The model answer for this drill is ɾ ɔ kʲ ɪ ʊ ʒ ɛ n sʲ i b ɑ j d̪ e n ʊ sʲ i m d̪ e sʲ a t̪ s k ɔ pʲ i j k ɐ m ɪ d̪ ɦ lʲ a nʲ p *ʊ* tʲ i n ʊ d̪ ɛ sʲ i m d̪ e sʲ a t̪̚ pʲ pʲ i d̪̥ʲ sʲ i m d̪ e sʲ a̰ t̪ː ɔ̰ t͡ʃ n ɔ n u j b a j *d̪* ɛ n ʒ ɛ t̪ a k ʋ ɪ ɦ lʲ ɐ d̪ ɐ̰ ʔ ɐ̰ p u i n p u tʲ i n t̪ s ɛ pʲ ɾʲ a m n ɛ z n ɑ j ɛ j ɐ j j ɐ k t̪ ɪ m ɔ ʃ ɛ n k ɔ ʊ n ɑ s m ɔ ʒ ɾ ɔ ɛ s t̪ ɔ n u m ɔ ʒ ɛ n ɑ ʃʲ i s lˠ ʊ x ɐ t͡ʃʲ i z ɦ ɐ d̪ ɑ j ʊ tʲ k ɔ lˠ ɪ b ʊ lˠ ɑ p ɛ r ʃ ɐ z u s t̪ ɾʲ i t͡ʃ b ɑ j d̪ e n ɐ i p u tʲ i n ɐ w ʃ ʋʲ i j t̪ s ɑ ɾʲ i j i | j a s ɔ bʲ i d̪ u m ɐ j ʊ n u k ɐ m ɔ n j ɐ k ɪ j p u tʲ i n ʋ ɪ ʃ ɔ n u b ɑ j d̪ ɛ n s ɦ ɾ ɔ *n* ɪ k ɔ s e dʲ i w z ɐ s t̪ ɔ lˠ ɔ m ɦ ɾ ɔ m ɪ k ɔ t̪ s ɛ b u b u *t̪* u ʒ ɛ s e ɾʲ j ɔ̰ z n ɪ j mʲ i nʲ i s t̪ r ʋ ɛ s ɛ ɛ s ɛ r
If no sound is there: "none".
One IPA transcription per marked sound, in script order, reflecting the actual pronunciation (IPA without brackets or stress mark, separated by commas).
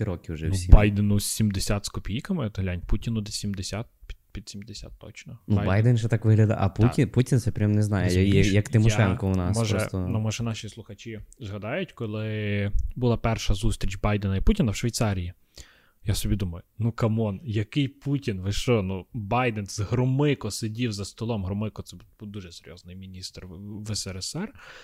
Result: u, d̪, m, d̪